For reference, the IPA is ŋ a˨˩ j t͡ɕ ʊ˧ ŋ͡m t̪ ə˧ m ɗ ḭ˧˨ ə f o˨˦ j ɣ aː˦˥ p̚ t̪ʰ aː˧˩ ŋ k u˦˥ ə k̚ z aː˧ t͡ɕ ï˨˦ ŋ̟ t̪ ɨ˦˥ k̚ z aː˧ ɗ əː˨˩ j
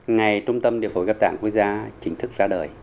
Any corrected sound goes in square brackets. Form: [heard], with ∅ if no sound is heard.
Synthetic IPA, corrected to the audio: ŋ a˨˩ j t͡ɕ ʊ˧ ŋ͡m t̪ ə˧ m ɗ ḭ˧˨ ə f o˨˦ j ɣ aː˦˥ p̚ [t̪] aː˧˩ ŋ k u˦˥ ə k̚ z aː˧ t͡ɕ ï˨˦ ŋ̟ [t̪ʰ] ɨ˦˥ k̚ z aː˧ ɗ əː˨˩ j